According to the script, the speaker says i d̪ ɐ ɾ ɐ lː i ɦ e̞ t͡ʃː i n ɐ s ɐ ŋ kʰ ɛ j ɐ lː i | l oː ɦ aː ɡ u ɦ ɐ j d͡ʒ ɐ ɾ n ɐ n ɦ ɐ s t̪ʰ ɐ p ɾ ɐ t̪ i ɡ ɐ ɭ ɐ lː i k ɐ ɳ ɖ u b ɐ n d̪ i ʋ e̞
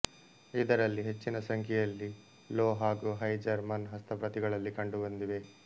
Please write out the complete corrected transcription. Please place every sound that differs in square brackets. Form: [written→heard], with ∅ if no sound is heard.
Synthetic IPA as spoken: i d̪ ɐ ɾ ɐ lː i ɦ e̞ t͡ʃː i n ɐ s ɐ ŋ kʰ ɛ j ɐ lː i | l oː ɦ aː ɡ u ɦ ɐ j d͡ʒ ɐ ɾ [n→m] ɐ n ɦ ɐ s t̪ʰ ɐ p ɾ ɐ t̪ i ɡ ɐ ɭ ɐ lː i k ɐ ɳ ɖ u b ɐ n d̪ i ʋ e̞

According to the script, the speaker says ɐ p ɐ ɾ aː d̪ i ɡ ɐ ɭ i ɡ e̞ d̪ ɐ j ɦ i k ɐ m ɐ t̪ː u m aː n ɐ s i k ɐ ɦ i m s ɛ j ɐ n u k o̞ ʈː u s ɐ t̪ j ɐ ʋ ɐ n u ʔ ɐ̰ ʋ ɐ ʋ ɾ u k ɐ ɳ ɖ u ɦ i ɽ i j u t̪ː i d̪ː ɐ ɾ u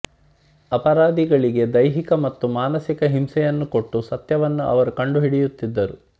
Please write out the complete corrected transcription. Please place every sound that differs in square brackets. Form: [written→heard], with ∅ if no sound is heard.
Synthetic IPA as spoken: ɐ p ɐ ɾ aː d̪ i ɡ ɐ ɭ i ɡ e̞ d̪ ɐ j ɦ i k ɐ m ɐ t̪ː u m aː n ɐ s i k ɐ ɦ i m s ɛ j ɐ [n→nː] u k o̞ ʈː u s ɐ t̪ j ɐ ʋ ɐ [n→nː] u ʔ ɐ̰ ʋ ɐ [ʋ→∅] ɾ u k ɐ ɳ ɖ u ɦ i ɽ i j u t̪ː i d̪ː ɐ ɾ u

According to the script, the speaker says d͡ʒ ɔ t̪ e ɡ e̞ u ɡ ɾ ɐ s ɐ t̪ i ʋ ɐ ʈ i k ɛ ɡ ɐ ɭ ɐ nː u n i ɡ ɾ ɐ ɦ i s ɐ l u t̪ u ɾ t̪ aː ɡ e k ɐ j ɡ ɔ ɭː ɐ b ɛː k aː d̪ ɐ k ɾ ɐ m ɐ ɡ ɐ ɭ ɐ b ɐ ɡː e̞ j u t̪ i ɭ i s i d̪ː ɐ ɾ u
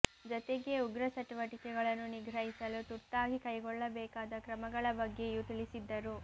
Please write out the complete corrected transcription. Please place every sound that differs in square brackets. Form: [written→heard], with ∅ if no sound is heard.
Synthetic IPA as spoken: d͡ʒ ɔ t̪ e ɡ e̞ u ɡ ɾ ɐ s ɐ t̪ i ʋ ɐ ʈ i k ɛ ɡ ɐ ɭ ɐ nː u n i ɡ ɾ ɐ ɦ i s ɐ l u t̪ u ɾ t̪ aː ɡ [e→i] k ɐ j ɡ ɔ ɭː ɐ b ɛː k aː d̪ ɐ k ɾ ɐ m ɐ ɡ ɐ ɭ ɐ b ɐ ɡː e̞ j u t̪ i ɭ i s i d̪ː ɐ ɾ u

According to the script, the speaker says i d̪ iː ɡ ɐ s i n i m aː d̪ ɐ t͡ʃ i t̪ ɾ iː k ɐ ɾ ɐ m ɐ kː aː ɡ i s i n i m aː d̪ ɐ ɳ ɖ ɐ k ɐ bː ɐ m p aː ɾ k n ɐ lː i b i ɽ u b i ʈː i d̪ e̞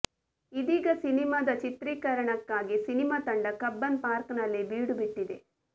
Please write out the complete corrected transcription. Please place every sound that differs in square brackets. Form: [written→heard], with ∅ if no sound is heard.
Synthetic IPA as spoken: i d̪ iː ɡ ɐ s i n i m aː d̪ ɐ t͡ʃ i t̪ ɾ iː k ɐ ɾ ɐ [m→ɳ] ɐ kː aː ɡ i s i n i m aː [d̪→t̪] ɐ ɳ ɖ ɐ k ɐ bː ɐ [m→n] p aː ɾ k n ɐ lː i b [i→iː] ɽ u b i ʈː i d̪ e̞

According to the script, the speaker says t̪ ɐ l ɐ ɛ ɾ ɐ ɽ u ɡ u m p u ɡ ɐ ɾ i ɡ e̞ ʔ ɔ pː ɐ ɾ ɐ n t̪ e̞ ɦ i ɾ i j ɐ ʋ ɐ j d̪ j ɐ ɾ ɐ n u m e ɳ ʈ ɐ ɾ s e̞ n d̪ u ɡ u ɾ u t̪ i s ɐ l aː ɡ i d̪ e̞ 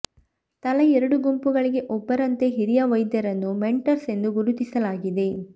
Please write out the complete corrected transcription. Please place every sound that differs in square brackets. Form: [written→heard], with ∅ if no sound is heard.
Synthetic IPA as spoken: t̪ ɐ l ɐ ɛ ɾ ɐ ɽ u ɡ u m p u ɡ ɐ [ɾ→ɭ] i ɡ e̞ ʔ ɔ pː ɐ ɾ ɐ n t̪ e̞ ɦ i ɾ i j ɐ ʋ ɐ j d̪ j ɐ ɾ ɐ [n→nː] u m e ɳ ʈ ɐ ɾ s e̞ n d̪ u ɡ u ɾ u t̪ i s ɐ l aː ɡ i d̪ e̞

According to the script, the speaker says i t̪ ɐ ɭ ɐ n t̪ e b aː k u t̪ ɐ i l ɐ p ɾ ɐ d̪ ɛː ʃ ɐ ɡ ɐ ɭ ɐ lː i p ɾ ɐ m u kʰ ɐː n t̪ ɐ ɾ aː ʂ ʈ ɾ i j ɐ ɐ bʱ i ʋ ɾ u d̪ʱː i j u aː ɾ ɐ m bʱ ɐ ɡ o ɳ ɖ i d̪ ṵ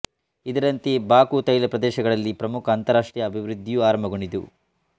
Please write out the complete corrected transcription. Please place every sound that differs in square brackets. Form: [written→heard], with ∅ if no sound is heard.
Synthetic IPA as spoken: i [t̪→d̪] ɐ [ɭ→ɾ] ɐ n t̪ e b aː k u t̪ ɐ [i→j] l ɐ p ɾ ɐ d̪ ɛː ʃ ɐ ɡ ɐ ɭ ɐ lː i p ɾ ɐ m u kʰ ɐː n t̪ ɐ ɾ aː ʂ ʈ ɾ i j ɐ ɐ bʱ i ʋ ɾ u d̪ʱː i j u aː ɾ ɐ m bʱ ɐ ɡ o ɳ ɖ i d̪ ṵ

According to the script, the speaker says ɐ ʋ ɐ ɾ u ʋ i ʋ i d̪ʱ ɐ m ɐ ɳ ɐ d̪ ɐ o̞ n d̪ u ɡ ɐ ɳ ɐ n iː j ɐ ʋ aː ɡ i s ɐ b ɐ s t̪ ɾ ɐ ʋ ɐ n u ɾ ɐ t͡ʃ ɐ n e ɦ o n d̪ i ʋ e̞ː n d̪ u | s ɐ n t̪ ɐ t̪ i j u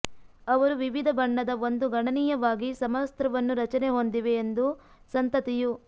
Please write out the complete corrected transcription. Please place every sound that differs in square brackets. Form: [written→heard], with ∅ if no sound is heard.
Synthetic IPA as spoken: ɐ ʋ ɐ ɾ u ʋ i ʋ i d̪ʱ ɐ [m→b] ɐ [ɳ→ɳː] ɐ d̪ ɐ o̞ n d̪ u ɡ ɐ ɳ ɐ n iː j ɐ ʋ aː ɡ i s ɐ [b→m] ɐ s t̪ ɾ ɐ ʋ ɐ [n→nː] u ɾ ɐ t͡ʃ ɐ n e ɦ o n d̪ i ʋ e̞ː n d̪ u | s ɐ n t̪ ɐ t̪ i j u

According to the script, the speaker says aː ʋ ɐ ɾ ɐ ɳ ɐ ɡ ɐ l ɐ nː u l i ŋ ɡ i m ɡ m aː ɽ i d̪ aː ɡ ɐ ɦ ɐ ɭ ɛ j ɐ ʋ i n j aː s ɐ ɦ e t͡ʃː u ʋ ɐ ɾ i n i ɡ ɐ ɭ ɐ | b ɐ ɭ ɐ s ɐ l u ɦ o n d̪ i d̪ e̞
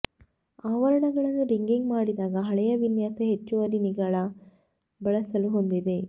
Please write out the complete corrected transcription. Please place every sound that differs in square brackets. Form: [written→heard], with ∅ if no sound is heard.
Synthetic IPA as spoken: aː ʋ ɐ ɾ ɐ ɳ ɐ ɡ ɐ [l→ɭ] ɐ nː u [l→ɾ] i ŋ ɡ i [m→ŋ] ɡ m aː ɽ i d̪ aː ɡ ɐ ɦ ɐ ɭ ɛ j ɐ ʋ i n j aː s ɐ ɦ e t͡ʃː u ʋ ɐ ɾ i n i ɡ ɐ ɭ ɐ | b ɐ ɭ ɐ s ɐ l u ɦ o n d̪ i d̪ e̞

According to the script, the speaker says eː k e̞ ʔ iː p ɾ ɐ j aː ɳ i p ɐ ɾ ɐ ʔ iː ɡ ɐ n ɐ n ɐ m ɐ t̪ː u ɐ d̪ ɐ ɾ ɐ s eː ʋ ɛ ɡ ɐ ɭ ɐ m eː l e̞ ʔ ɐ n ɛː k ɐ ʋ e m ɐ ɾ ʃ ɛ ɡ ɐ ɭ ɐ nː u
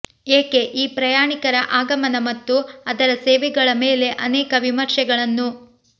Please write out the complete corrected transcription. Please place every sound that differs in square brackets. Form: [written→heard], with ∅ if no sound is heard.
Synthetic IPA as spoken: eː k e̞ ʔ iː p ɾ ɐ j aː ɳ i [p→k] ɐ ɾ ɐ ʔ [iː→aː] ɡ ɐ [n→m] ɐ n ɐ m ɐ t̪ː u ɐ d̪ ɐ ɾ ɐ s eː ʋ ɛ ɡ ɐ ɭ ɐ m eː l e̞ ʔ ɐ n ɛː k ɐ ʋ [e→i] m ɐ ɾ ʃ ɛ ɡ ɐ ɭ ɐ nː u

